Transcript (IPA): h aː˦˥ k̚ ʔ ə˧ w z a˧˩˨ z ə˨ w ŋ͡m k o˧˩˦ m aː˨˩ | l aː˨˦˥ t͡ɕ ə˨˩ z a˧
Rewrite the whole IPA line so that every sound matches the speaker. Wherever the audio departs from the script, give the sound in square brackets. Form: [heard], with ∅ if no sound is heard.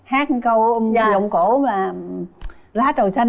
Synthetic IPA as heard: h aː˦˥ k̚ [k] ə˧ w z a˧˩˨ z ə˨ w ŋ͡m k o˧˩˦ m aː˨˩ | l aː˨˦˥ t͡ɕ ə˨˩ [s] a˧